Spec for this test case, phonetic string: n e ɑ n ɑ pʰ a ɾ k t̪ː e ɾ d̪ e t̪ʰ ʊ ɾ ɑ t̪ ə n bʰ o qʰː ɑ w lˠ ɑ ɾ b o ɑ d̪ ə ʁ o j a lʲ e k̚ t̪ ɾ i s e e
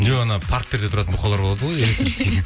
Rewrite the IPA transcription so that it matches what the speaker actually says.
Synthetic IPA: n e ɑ n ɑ pʰ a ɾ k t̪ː e ɾ d̪ e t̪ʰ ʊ ɾ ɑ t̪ ə n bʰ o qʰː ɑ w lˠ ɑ ɾ b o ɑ d̪ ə ʁ o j e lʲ e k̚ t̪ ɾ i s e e